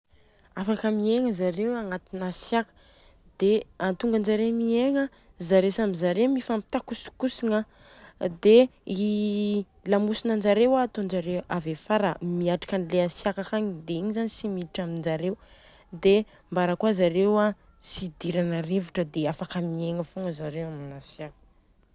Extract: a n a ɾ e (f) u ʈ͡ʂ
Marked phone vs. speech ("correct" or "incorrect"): incorrect